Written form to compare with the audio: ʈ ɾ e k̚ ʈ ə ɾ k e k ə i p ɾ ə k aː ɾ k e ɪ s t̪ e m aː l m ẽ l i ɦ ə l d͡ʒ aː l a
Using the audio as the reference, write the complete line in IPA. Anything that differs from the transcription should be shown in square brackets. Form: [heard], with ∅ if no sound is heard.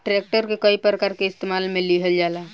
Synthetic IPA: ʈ ɾ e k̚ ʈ ə ɾ k e k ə i p ɾ ə k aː ɾ k e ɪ s t̪ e m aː l m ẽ l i ɦ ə l d͡ʒ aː l a